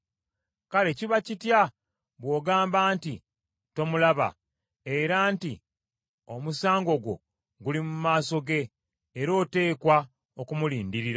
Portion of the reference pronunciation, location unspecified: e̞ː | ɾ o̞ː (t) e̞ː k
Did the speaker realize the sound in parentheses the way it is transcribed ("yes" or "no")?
yes